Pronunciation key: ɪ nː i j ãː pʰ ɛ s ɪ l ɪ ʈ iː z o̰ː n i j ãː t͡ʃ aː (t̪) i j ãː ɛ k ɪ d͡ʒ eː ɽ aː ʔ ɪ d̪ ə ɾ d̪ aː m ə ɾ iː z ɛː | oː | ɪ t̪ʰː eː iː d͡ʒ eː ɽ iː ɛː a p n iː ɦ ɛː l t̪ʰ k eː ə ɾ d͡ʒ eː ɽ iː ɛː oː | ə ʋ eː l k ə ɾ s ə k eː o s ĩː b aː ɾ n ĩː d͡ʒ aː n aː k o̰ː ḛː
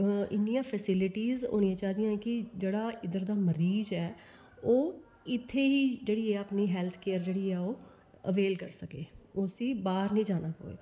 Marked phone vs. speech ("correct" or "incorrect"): incorrect